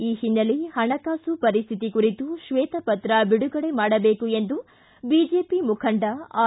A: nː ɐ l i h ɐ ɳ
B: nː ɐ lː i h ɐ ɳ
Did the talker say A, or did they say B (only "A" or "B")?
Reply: A